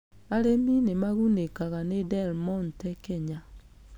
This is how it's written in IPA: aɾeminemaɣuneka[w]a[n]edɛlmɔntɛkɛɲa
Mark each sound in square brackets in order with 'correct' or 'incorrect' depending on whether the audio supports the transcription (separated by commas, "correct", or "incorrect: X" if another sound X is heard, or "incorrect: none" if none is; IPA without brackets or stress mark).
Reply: incorrect: ɣ, correct